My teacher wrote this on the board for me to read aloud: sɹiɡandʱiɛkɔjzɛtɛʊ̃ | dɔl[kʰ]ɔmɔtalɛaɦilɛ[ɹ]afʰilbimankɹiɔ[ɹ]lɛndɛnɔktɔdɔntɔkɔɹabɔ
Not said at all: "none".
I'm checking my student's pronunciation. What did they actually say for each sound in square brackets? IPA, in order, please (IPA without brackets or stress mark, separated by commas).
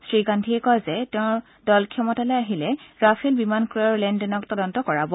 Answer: kʰ, ɹ, ɹ